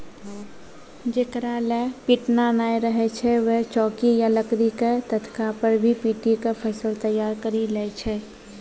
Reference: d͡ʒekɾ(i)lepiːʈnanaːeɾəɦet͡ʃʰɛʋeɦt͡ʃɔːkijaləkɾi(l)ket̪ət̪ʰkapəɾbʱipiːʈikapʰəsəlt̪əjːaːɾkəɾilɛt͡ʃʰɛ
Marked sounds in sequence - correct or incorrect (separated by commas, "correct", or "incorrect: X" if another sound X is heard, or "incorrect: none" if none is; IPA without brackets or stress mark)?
incorrect: a, incorrect: none